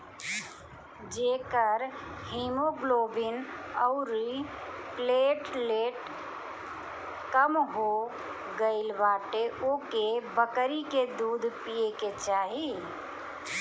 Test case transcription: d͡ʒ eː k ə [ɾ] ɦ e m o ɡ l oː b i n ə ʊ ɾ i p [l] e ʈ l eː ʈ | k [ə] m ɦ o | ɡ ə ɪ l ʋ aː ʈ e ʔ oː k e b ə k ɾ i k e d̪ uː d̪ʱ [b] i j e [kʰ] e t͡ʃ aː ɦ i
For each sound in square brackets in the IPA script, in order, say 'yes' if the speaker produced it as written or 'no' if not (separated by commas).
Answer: yes, yes, yes, no, no